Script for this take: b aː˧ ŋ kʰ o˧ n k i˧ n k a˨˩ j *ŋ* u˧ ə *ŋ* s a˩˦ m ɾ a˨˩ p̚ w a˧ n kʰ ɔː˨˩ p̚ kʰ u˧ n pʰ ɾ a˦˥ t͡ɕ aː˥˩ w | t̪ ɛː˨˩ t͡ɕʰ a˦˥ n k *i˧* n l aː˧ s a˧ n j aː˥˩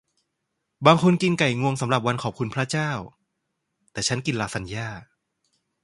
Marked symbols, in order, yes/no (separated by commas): yes, yes, yes